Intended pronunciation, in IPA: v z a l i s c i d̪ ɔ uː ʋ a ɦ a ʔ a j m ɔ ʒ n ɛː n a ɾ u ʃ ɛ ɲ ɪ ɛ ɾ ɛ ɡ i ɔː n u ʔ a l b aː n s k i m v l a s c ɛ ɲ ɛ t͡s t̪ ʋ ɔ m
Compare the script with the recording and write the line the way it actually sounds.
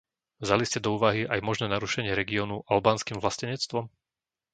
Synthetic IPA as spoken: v z a l i s c ɛ d̪ ɔ uː ʋ a ɦ i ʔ a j m ɔ ʒ n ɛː n a ɾ u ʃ ɛ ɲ ɪ ɛ ɾ ɛ ɡ i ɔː n u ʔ a l b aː n s k i m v l a s c ɛ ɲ ɛ t͡s t̪ ʋ ɔ m